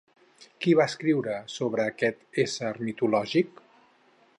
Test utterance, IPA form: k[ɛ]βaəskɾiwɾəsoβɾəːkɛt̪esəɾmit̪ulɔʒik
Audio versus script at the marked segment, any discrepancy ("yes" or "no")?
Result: yes